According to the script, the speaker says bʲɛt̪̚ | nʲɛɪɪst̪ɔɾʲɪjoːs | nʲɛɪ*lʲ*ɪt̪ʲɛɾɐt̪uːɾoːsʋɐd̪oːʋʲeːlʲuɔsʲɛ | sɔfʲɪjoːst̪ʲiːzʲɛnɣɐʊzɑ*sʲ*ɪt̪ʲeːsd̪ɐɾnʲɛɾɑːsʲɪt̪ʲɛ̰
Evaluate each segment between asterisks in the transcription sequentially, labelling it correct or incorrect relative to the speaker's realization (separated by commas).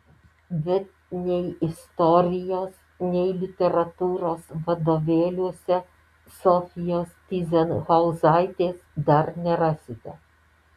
correct, incorrect